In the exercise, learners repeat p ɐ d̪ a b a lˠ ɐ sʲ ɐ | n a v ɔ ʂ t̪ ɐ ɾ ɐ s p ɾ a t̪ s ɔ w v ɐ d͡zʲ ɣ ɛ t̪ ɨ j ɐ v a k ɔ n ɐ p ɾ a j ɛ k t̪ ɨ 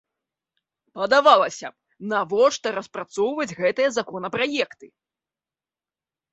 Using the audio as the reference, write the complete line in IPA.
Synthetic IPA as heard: p ɐ d̪ a v a lˠ ɐ sʲ ɐ | n a v ɔ ʂ t̪ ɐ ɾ ɐ s p ɾ a t̪ s ɔ w v ɐ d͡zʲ ɣ ɛ t̪ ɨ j ɐ z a k ɔ n ɐ p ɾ a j ɛ k t̪ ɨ

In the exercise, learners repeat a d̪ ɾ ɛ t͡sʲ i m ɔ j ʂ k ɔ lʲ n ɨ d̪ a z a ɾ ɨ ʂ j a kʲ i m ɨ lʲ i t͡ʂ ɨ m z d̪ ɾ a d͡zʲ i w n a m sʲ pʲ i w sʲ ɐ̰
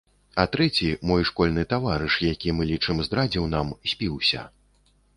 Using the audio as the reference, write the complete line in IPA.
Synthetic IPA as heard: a t̪ ɾ ɛ t͡sʲ i m ɔ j ʂ k ɔ lʲ n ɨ t̪ a v a ɾ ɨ ʂ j a kʲ i m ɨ lʲ i t͡ʂ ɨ m z d̪ ɾ a d͡zʲ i w n a m sʲ pʲ i w sʲ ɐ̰

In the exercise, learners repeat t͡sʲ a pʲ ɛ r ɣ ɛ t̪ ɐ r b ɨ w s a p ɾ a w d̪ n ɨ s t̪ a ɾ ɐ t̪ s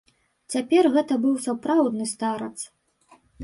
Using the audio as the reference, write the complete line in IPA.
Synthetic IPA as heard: t͡sʲ a pʲ ɛ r ɣ ɛ t̪ ɐ b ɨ w s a p ɾ a w d̪ n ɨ s t̪ a ɾ ɐ t̪ s

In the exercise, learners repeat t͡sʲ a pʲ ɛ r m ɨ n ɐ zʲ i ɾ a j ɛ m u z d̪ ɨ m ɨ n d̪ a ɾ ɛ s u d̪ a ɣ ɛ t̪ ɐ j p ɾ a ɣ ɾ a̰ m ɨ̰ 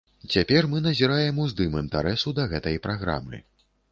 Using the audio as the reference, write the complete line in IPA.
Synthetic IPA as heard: t͡sʲ a pʲ ɛ r m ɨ n ɐ zʲ i ɾ a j ɛ m u z d̪ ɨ m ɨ n t̪ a ɾ ɛ s u d̪ ɐ ɣ ɛ t̪ ɐ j p ɾ a ɣ ɾ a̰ m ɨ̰

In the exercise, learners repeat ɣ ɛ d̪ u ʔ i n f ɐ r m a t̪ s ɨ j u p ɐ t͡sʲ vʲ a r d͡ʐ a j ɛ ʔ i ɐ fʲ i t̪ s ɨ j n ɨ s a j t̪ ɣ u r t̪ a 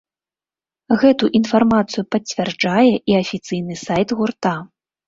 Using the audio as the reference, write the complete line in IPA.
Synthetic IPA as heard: ɣ ɛ t̪ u ʔ i n f a r m a t̪ s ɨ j u p ɐ t͡sʲ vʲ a r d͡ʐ a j ɛ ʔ i ɐ fʲ i t̪ s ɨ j n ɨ s a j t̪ ɣ u r t̪ a

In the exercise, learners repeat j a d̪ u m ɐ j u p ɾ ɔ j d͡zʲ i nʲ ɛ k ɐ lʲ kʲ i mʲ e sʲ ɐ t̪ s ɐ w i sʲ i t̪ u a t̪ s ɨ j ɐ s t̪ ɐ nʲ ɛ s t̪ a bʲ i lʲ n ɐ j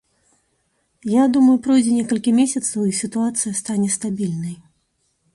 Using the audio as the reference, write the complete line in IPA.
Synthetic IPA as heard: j a d̪ u m ɐ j u p ɾ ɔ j d͡zʲ ɛ nʲ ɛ k ɐ lʲ kʲ i mʲ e sʲ ɐ t̪ s ɐ w i sʲ i t̪ u a t̪ s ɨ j ɐ s t̪ a nʲ ɛ s t̪ a bʲ i lʲ n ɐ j

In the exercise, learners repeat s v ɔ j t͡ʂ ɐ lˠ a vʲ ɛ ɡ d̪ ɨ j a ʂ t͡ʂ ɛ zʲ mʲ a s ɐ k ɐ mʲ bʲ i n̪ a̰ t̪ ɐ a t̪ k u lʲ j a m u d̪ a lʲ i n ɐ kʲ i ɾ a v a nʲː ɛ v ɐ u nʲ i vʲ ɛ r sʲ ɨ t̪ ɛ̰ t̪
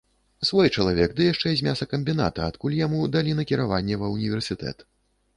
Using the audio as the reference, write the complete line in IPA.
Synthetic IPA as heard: s v ɔ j t͡ʂ ɐ lˠ a vʲ ɛ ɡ d̪ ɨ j a ʂ t͡ʂ ɛ zʲ mʲ a s ɐ k ɐ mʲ bʲ i n̪ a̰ t̪ ɐ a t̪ k u lʲ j a m u d̪ a lʲ i n ɐ kʲ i ɾ a v a nʲː ɛ v ɐ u nʲ i vʲ ɛ r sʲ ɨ t̪ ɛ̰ t̪

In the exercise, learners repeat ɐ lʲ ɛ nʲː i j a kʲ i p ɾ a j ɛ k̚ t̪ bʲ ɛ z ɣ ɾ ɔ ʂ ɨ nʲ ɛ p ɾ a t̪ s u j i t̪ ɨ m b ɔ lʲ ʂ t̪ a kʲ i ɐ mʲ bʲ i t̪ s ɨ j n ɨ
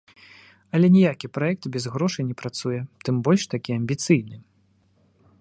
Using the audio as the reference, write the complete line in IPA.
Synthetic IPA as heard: ɐ lʲ ɛ nʲ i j a kʲ i p ɾ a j ɛ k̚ t̪ bʲ ɛ z ɣ ɾ ɔ ʂ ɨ nʲ ɛ p ɾ a t̪ s u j ɛ t̪ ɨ m b ɔ lʲ ʂ t̪ a kʲ i ɐ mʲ bʲ i t̪ s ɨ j n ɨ

